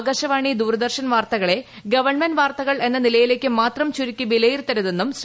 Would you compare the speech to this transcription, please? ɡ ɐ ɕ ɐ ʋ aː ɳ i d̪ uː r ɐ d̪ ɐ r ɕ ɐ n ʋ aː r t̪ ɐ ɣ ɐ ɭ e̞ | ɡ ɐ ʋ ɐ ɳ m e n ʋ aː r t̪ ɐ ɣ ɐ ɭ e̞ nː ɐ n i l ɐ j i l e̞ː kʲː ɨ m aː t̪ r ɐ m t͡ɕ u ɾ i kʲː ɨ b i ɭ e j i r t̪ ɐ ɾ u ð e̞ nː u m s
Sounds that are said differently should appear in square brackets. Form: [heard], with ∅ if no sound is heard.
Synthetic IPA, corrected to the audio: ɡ ɐ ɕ ɐ ʋ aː ɳ i d̪ uː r ɐ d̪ ɐ r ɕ ɐ n ʋ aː r t̪ ɐ ɣ ɐ ɭ e̞ | ɡ ɐ ʋ ɐ ɳ m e n ʋ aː r t̪ ɐ ɣ ɐ ɭ e̞ nː ɐ n i l ɐ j i l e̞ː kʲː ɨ m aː t̪ r ɐ m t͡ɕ u ɾ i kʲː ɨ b i [l] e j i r t̪ ɐ ɾ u ð e̞ nː u m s